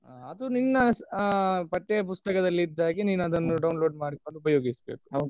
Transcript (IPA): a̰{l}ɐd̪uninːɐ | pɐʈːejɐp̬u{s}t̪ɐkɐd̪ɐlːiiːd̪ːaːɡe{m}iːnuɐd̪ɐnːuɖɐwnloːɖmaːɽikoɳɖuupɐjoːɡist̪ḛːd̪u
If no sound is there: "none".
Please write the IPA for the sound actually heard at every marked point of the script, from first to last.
none, s, n

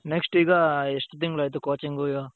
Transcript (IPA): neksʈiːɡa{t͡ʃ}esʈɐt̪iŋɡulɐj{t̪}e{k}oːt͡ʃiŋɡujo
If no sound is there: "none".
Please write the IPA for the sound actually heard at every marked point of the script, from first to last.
none, t̪, k

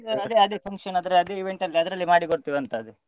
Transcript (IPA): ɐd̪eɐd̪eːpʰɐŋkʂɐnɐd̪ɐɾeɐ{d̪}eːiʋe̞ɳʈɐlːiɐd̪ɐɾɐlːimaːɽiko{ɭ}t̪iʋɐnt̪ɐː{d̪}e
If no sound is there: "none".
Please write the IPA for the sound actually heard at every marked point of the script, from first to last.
d̪, ɽ, d̪

